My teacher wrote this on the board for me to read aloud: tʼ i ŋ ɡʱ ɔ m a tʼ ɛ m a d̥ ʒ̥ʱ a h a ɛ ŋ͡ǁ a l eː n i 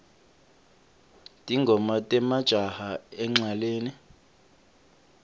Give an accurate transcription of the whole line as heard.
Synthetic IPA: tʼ i ŋ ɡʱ ɔ m a tʼ ɛ m a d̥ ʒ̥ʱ a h a ɛ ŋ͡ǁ a l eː n i